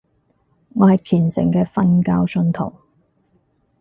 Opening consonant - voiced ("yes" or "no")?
yes